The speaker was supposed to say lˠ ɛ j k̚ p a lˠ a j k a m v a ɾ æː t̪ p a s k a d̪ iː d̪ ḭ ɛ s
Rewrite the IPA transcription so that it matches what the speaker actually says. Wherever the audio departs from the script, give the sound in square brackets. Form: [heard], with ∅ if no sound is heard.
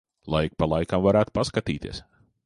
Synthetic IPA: lˠ [a] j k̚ p a lˠ a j k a m v a ɾ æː t̪ p a s k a [t̪] iː [t̪] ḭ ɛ s